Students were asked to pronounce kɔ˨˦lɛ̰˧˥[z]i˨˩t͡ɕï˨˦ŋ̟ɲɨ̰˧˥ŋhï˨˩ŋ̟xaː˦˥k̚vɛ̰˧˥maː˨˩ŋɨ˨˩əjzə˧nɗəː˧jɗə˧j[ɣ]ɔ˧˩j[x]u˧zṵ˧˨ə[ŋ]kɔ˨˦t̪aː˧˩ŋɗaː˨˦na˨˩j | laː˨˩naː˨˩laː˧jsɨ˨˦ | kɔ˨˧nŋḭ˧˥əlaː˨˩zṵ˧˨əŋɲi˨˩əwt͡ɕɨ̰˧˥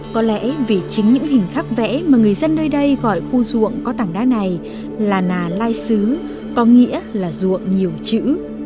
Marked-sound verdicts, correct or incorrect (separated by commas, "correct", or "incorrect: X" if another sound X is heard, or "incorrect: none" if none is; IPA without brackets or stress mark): incorrect: v, correct, correct, correct